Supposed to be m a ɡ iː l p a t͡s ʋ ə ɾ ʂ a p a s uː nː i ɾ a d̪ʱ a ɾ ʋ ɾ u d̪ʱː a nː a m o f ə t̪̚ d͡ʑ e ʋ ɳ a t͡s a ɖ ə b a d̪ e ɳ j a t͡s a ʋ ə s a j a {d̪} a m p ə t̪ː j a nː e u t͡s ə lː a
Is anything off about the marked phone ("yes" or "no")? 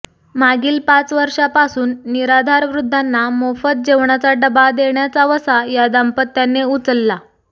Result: no